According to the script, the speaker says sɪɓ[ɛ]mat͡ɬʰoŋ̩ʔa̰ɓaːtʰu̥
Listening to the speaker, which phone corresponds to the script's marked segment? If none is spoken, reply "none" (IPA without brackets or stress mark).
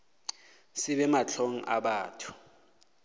ɛ